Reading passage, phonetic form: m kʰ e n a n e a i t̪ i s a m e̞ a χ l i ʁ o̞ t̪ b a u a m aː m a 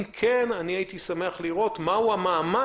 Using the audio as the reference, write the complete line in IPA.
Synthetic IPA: m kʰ e n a n i a i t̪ i s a m e̞ a χ l i ʁ o̞ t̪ m a u a m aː m a